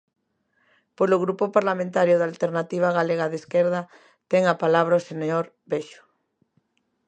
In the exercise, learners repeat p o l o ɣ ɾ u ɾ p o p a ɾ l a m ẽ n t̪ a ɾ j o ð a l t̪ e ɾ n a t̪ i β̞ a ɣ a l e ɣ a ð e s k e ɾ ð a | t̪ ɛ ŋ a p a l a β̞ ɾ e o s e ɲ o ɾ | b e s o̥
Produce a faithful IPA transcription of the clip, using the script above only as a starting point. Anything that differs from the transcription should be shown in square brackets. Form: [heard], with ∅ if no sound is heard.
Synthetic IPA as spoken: p o l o ɣ ɾ u [∅] p o p a ɾ l a m ẽ n t̪ a ɾ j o ð a l t̪ e ɾ n a t̪ i β̞ a ɣ a l e ɣ a ð e s k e ɾ ð a | t̪ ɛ ŋ a p a l a β̞ ɾ [a] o s e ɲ o ɾ | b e [ʃ] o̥